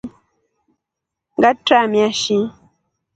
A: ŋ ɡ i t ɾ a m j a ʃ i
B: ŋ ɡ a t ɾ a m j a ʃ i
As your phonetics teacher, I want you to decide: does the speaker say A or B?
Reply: B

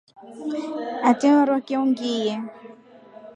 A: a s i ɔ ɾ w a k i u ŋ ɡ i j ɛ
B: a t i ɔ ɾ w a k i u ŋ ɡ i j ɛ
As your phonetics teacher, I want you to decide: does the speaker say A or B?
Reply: B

